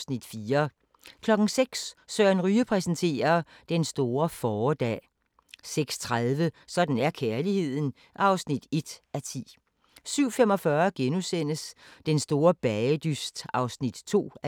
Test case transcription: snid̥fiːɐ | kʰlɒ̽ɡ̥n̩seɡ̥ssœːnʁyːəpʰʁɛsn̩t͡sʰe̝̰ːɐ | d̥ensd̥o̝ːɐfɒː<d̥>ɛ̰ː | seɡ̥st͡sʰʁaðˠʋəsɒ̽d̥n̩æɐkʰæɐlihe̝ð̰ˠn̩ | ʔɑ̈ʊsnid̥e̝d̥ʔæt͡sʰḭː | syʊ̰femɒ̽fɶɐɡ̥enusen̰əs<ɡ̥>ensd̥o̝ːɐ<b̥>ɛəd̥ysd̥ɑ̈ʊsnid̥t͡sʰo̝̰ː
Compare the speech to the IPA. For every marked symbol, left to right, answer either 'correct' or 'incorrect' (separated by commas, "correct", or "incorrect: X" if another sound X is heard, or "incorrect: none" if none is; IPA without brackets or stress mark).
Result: correct, incorrect: d̥, correct